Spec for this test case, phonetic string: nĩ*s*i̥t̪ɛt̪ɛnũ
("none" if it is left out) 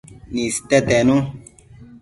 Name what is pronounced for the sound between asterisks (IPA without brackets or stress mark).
s